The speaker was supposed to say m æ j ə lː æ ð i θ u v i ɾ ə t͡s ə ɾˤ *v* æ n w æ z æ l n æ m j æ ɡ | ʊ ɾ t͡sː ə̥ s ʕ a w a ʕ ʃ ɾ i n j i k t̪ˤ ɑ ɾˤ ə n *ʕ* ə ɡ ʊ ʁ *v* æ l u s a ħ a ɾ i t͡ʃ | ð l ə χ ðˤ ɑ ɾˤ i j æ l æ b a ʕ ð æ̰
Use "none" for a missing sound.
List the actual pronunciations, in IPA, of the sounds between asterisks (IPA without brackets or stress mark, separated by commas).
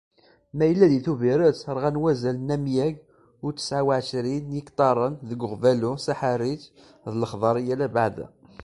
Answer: ʁ, ð, v